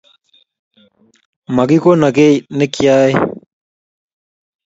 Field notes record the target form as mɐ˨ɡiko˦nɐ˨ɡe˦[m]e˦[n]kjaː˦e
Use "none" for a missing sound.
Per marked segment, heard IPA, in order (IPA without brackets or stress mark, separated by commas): n, none